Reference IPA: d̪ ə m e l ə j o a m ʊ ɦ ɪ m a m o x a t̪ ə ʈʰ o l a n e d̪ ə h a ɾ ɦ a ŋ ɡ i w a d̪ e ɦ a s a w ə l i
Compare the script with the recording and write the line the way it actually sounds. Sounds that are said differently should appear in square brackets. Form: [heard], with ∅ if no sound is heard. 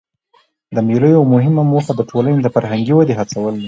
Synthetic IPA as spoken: d̪ ə m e l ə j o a m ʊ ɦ ɪ m a m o x a [d̪] ə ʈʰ o l a n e d̪ ə [f] a ɾ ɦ a ŋ ɡ i w a d̪ e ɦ a [t͡s] a w ə l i